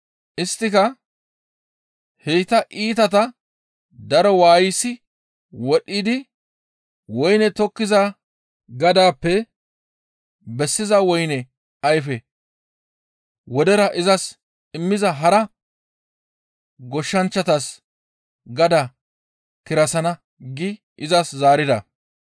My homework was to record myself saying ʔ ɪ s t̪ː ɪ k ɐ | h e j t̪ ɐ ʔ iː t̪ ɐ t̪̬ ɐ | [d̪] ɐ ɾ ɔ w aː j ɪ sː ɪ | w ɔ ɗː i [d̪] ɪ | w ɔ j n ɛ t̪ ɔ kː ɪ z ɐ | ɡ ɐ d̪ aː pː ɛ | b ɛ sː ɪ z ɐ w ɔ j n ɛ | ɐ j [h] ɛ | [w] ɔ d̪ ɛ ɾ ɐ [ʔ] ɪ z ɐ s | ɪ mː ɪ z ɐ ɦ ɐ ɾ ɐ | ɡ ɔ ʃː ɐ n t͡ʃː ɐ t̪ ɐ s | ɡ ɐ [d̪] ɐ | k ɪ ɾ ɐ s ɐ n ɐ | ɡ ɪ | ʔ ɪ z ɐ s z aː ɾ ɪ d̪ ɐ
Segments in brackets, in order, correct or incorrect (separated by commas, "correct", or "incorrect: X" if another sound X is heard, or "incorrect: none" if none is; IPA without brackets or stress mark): correct, correct, incorrect: f, correct, correct, correct